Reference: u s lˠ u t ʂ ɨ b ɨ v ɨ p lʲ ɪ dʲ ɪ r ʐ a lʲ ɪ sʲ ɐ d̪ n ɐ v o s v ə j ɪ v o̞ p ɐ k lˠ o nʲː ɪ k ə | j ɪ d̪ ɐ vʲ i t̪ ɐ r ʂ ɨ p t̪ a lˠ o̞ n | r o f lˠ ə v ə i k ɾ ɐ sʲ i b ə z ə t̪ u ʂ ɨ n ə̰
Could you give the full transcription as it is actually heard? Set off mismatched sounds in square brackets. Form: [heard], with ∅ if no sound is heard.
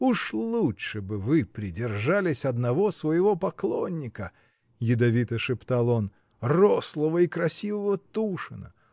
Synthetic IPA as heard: u [ʂ] lˠ u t ʂ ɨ b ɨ v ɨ p [ɾʲ] ɪ dʲ ɪ r ʐ a lʲ ɪ sʲ ɐ d̪ n ɐ v o s v ə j ɪ v o̞ p ɐ k lˠ o nʲː ɪ k ə | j ɪ d̪ ɐ vʲ i t̪ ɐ [∅] ʂ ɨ p t̪ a lˠ o̞ n | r o [s] lˠ ə v ə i k ɾ ɐ sʲ i [v] ə [v] ə t̪ u ʂ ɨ n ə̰